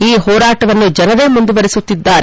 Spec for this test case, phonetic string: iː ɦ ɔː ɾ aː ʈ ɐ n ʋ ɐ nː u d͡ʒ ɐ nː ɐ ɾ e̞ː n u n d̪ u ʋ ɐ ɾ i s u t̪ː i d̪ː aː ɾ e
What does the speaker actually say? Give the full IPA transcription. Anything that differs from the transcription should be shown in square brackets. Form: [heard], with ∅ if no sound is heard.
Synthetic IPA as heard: iː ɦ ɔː ɾ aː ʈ ɐ [∅] ʋ ɐ nː u d͡ʒ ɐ [n] ɐ ɾ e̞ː [m] u n d̪ u ʋ ɐ ɾ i s u t̪ː i d̪ː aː ɾ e